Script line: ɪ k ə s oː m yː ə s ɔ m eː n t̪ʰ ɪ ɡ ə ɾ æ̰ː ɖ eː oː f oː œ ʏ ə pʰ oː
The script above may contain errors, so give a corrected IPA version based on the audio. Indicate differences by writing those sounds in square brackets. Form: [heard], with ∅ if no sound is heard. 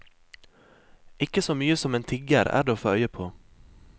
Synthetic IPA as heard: ɪ k ə s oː m yː ə s ɔ m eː n t̪ʰ ɪ ɡ ə ɾ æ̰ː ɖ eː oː f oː œ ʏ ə pʰ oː